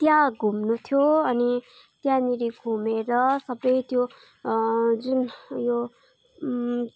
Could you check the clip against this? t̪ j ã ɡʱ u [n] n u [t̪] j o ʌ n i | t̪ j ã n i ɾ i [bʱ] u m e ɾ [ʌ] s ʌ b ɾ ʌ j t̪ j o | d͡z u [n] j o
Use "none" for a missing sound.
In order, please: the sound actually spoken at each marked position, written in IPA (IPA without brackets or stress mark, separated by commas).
m, t̪ʰ, ɡʱ, ʌ, n